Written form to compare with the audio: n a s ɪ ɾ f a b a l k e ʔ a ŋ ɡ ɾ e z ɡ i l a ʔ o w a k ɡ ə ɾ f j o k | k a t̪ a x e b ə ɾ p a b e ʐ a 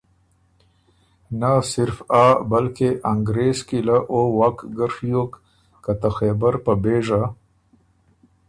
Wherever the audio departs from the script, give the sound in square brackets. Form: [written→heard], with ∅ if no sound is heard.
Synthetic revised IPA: n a s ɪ ɾ f a b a l k e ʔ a ŋ ɡ ɾ e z [ɡ→k] i l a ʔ o w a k ɡ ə ɾ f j o k | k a t̪ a x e b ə ɾ p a b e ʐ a